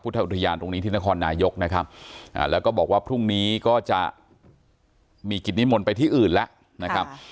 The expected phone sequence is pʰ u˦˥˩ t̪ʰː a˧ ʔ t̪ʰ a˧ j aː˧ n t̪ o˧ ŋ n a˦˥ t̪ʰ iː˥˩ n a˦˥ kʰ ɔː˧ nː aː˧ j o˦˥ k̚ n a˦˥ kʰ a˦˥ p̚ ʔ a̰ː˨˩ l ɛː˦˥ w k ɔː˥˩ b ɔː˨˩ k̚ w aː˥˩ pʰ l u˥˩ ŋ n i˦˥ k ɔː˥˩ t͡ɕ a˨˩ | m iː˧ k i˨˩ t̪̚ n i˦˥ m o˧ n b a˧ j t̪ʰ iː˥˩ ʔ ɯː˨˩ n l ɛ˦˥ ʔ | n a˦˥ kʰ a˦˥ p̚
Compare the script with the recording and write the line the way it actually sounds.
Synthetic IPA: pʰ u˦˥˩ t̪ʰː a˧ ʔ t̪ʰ a˧ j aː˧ n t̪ o˧ ŋ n i˦˥ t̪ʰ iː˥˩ n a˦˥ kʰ ɔː˧ nː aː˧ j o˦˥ k̚ n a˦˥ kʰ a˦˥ p̚ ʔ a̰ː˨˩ l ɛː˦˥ w k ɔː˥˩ b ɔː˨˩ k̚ w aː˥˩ pʰ ɾ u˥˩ ŋ n iː˦˥ k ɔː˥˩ t͡ɕ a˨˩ | m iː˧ k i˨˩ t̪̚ n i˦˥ m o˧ n p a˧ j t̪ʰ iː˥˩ ʔ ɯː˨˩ n l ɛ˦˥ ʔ | n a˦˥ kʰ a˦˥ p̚

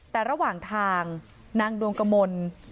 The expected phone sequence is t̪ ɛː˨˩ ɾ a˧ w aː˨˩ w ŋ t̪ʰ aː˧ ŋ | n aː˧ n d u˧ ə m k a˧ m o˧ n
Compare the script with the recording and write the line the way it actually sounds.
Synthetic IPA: t̪ ɛː˨˩ ɾ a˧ w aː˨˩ ŋ t̪ʰ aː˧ ŋ | n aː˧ ŋ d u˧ ə ŋ k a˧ m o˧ n

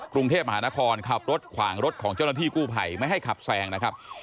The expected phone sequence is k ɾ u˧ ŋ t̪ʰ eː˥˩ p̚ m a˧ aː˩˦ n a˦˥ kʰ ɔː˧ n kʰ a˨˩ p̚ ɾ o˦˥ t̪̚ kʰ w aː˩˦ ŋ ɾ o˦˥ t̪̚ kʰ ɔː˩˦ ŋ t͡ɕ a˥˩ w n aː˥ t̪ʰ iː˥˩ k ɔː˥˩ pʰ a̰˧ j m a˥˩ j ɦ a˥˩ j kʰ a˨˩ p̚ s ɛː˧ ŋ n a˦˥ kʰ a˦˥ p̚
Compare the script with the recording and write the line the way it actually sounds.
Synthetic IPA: k ɾ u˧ ŋ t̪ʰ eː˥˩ p̚ m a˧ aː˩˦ n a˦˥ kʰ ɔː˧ n kʰ a˨˩ p̚ ɾ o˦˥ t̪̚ kʰ w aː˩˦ ŋ ɾ o˦˥ t̪̚ kʰ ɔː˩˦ ŋ t͡ɕ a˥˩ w n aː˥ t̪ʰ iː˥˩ k uː˥˩ pʰ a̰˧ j m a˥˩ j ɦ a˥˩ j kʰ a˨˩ p̚ s ɛː˧ ŋ n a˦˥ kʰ a˦˥ p̚

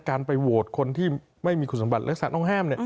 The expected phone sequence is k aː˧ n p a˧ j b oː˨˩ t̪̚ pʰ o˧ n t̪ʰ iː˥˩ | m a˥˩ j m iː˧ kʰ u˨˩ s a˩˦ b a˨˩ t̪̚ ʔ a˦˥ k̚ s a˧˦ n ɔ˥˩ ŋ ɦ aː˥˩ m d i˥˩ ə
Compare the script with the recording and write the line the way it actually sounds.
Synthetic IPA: k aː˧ n p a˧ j w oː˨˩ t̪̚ kʰ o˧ n t̪ʰ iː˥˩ | m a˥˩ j m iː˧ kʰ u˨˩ s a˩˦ b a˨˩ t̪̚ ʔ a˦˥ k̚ s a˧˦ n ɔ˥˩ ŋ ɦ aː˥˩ m n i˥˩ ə

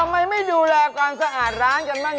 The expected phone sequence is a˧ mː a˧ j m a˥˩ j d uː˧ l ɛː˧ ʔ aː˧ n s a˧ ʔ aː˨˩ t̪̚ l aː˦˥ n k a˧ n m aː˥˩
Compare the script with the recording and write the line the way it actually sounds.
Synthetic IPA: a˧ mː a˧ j m a˥˩ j d uː˧ l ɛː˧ k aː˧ n s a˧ ʔ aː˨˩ t̪̚ ɾ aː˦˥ n k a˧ n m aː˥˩

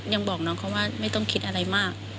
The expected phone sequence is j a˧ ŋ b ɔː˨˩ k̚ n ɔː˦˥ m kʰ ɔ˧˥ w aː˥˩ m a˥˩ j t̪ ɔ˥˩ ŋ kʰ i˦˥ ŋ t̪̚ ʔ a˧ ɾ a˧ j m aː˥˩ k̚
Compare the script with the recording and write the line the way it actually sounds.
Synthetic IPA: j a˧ ŋ b ɔː˨˩ k̚ n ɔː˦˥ ŋ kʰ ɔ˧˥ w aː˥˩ m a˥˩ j t̪ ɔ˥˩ ŋ kʰ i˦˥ t̪̚ ʔ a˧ ɾ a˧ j m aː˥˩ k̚

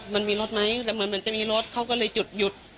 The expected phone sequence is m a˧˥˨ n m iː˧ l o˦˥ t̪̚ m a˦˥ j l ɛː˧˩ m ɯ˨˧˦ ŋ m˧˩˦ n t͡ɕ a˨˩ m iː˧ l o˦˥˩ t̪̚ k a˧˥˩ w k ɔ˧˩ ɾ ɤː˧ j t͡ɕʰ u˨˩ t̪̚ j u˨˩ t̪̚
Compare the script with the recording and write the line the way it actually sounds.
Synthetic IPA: m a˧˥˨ n m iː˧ l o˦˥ t̪̚ m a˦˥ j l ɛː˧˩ m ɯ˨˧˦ n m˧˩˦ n t͡ɕ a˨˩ m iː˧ l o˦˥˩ t̪̚ kʰ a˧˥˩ w k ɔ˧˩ l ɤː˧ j t͡ɕ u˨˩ t̪̚ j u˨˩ t̪̚

